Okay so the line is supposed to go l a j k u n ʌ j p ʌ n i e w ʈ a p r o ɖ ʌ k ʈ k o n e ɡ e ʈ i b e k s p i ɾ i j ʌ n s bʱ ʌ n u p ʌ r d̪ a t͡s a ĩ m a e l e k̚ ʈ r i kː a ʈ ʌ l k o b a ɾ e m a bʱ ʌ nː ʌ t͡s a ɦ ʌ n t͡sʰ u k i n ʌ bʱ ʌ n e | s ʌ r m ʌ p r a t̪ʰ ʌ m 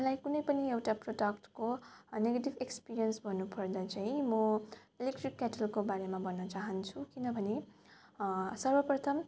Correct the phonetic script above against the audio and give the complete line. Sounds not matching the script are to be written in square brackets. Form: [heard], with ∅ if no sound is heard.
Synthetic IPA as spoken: l a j k u n ʌ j p ʌ n i e w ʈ a p r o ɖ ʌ k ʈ k o n e ɡ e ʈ i b e k s p i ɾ i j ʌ n s bʱ ʌ n u p ʌ r d̪ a t͡s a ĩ m [ʌ] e l e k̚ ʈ r i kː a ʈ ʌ l k o b a ɾ e m a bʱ ʌ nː ʌ t͡s a ɦ ʌ n t͡sʰ u k i n ʌ bʱ ʌ n e | s ʌ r [b] ʌ p r [ʌ] t̪ʰ ʌ m